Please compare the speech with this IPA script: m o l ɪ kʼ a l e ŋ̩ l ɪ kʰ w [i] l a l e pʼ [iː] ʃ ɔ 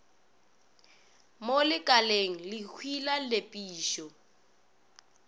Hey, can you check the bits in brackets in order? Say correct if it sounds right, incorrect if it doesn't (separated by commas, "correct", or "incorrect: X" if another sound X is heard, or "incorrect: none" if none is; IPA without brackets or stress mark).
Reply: correct, correct